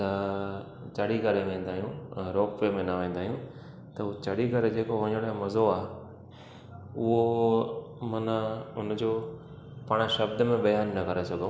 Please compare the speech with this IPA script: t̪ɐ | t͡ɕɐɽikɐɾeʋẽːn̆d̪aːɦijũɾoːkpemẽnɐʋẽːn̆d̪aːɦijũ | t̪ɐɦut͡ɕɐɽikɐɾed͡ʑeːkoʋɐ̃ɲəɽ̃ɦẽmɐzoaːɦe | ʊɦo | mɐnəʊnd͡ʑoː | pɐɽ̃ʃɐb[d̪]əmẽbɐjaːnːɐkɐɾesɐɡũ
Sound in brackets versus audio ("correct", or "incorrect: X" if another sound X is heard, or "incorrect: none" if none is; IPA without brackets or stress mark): correct